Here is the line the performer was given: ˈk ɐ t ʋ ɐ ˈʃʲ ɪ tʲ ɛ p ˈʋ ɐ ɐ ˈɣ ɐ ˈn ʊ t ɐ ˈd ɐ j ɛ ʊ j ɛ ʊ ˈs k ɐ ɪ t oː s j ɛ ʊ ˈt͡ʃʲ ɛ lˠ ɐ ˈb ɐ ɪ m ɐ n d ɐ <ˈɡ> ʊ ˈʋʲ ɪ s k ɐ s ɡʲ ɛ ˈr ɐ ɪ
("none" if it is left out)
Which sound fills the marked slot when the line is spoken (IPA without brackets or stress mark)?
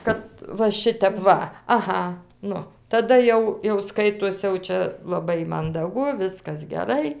ɡ